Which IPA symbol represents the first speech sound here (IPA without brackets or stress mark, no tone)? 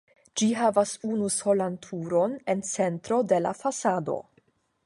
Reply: d͡ʒ